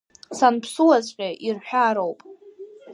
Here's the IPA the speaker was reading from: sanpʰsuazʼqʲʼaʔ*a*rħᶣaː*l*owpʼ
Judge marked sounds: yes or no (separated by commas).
no, no